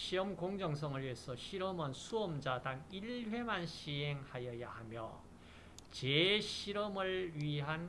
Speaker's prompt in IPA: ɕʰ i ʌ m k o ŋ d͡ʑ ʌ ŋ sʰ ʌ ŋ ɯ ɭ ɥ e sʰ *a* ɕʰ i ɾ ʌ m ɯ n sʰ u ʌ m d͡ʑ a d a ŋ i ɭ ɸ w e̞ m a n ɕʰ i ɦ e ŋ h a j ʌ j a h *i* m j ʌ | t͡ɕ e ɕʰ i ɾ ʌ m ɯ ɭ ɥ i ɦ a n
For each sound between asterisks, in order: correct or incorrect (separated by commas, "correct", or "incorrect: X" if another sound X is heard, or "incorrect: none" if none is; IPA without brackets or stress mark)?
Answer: incorrect: ʌ, incorrect: a